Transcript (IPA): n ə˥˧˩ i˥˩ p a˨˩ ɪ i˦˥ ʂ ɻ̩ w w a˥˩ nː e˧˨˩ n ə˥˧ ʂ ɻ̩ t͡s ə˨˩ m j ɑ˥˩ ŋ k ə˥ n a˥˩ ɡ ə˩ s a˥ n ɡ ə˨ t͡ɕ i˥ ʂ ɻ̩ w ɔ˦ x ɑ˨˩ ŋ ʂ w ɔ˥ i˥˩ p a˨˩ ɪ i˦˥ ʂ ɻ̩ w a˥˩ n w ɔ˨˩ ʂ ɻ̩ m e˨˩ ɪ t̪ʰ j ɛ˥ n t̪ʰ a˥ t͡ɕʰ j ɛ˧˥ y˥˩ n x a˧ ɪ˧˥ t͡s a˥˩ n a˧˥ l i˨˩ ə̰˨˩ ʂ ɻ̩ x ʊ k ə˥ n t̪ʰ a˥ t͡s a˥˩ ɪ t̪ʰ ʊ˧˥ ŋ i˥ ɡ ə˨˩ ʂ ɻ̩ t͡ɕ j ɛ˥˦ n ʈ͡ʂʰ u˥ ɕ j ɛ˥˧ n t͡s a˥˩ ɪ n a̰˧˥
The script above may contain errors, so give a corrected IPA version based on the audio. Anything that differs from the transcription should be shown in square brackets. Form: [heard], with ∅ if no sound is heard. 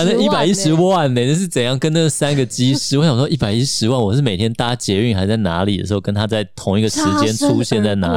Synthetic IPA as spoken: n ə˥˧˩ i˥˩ p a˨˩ ɪ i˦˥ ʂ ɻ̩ w w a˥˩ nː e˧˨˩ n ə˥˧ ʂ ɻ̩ t͡s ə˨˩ [n] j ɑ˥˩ ŋ k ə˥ n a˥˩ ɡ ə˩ s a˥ n ɡ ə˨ t͡ɕ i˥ ʂ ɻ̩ w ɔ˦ [ɕ] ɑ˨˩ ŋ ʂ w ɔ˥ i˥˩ p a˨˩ ɪ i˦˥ ʂ ɻ̩ w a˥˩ n w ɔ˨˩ ʂ ɻ̩ m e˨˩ ɪ t̪ʰ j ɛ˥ n [t̪] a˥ [t͡ɕ] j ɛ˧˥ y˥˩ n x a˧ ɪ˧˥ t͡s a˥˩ n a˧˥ l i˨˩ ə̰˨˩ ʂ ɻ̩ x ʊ k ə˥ n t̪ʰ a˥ t͡s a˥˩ ɪ t̪ʰ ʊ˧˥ ŋ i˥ ɡ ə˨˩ ʂ ɻ̩ t͡ɕ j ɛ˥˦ n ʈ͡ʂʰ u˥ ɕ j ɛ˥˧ n t͡s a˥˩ ɪ n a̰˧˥